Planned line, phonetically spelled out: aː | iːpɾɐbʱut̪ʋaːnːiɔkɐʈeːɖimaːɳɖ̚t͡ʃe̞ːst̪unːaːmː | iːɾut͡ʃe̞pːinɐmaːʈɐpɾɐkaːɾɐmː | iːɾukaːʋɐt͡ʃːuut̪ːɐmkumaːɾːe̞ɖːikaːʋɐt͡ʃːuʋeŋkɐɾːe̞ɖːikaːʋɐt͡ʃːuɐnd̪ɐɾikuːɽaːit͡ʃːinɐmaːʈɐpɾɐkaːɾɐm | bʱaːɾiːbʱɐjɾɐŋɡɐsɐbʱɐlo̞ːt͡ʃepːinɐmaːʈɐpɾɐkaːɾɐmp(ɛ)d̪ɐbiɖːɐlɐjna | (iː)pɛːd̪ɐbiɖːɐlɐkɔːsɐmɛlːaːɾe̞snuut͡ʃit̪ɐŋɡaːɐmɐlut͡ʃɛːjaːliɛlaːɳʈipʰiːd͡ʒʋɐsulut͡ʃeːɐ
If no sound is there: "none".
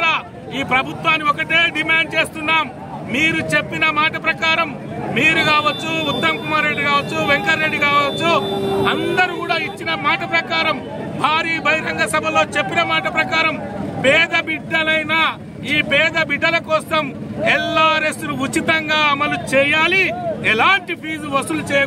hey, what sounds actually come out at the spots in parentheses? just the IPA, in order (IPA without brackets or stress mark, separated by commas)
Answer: ɛː, iː